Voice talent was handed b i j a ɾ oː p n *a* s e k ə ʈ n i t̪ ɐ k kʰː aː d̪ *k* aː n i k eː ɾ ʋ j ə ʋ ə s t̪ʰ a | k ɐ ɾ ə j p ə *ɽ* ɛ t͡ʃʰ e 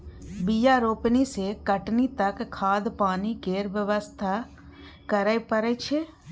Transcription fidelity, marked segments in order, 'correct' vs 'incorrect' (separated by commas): incorrect, incorrect, incorrect